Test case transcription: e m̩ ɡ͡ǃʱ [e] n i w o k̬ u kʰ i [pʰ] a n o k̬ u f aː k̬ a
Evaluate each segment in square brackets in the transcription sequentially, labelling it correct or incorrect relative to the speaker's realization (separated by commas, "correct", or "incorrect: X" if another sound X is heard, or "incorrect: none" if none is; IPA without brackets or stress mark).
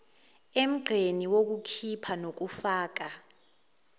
correct, correct